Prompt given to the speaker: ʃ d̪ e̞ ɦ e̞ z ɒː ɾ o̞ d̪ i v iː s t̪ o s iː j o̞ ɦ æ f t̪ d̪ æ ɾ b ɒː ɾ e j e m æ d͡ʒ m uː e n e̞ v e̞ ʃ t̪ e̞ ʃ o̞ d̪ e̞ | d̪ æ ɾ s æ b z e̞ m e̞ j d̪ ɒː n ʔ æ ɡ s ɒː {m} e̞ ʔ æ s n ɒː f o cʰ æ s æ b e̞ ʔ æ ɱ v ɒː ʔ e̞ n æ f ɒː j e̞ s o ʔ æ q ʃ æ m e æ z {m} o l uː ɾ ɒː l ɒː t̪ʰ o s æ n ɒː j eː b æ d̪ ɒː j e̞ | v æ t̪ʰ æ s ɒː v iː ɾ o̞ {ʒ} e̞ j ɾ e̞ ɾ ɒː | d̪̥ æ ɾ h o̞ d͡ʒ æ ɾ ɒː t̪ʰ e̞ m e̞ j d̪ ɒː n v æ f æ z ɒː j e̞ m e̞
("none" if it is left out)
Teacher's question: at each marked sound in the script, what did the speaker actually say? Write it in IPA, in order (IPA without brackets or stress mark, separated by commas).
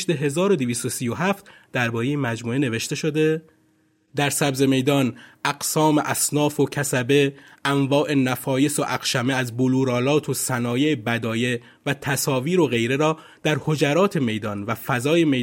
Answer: m, b, ɣ